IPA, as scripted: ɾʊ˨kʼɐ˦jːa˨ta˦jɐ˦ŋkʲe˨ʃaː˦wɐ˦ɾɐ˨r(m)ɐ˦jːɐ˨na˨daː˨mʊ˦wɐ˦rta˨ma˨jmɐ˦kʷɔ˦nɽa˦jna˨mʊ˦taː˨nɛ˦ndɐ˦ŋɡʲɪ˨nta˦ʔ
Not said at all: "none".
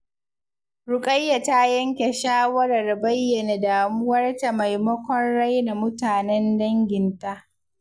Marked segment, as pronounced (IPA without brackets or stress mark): b